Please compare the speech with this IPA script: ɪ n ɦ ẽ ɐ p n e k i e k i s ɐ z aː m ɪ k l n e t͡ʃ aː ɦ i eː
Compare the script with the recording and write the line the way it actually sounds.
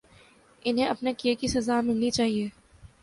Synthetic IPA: ɪ n ɦ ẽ ɐ p n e k i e k i s ɐ z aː m ɪ l n i t͡ʃ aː ɦ i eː